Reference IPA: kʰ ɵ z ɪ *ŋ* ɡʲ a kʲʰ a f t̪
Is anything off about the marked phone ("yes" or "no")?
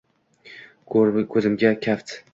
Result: yes